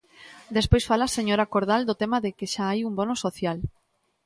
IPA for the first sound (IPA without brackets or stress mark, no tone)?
d̪